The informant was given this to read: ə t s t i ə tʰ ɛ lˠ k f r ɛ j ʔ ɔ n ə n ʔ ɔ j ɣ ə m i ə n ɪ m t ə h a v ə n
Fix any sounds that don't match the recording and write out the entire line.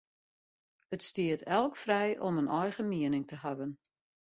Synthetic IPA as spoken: ə t s t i ə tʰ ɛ lˠ k f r ɛ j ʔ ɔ m ə n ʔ ɔ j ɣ ə m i ə n ɪ ŋ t ə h a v ə n